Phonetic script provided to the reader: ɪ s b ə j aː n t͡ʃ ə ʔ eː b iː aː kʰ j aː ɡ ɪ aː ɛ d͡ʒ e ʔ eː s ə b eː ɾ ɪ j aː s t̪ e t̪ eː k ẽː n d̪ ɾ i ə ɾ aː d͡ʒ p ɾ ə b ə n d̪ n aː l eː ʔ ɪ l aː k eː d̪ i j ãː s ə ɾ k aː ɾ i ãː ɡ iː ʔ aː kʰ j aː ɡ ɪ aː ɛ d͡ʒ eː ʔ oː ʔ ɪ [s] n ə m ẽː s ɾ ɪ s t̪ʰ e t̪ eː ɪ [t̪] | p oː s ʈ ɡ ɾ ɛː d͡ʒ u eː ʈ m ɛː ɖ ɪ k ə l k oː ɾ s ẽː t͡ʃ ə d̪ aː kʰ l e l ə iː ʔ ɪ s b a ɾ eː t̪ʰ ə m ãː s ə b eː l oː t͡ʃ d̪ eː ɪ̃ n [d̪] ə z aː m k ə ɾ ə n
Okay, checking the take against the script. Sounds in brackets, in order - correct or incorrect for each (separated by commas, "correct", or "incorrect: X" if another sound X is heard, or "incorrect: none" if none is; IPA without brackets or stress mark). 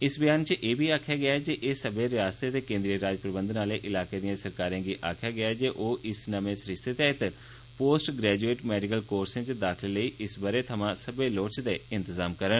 correct, correct, incorrect: t̪